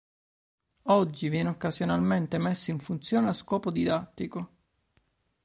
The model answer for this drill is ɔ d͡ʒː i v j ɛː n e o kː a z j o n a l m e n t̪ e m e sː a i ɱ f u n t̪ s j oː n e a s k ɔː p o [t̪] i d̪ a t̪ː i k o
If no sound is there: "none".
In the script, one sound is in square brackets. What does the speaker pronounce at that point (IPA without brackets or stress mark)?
d̪